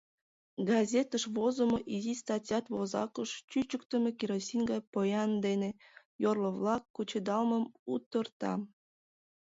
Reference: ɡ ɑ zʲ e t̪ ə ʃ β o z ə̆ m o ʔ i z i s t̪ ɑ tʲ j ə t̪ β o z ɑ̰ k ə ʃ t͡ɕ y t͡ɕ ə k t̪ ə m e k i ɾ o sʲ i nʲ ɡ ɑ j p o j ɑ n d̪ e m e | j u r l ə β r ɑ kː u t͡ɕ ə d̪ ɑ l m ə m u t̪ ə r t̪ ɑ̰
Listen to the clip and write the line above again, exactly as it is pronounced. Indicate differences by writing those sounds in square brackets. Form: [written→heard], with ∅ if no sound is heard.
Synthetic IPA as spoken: ɡ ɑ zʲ e t̪ ə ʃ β o z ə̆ m o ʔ i z i s t̪ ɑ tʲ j [ə→ɑ] t̪ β o z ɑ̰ k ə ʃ t͡ɕ y t͡ɕ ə k t̪ ə m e k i ɾ o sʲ i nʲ ɡ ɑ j p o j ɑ n d̪ e [m→n] e | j [u→o] r l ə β [r→l] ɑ kː u t͡ɕ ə d̪ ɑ l m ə m u t̪ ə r t̪ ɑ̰